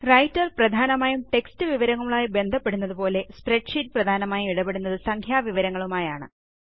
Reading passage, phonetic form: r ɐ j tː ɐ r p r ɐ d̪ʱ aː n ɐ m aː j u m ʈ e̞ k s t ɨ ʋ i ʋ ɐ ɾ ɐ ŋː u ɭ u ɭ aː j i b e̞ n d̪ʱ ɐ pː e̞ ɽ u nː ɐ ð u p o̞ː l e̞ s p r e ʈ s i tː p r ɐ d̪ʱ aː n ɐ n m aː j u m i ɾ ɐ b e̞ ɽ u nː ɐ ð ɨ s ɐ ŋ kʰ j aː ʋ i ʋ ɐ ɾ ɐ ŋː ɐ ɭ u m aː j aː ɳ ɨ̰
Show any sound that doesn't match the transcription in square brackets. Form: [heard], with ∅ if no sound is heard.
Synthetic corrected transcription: r ɐ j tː ɐ r p r ɐ d̪ʱ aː n ɐ m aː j u m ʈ e̞ k s t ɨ ʋ i ʋ ɐ ɾ ɐ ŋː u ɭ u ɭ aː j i b e̞ n d̪ʱ ɐ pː e̞ ɽ u nː ɐ ð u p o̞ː l e̞ s p r e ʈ [ʂ] i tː p r ɐ d̪ʱ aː n ɐ [∅] m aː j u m i [ɽ] ɐ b e̞ ɽ u nː ɐ ð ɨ s ɐ ŋ kʰ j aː ʋ i ʋ ɐ ɾ ɐ ŋː ɐ ɭ u m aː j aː ɳ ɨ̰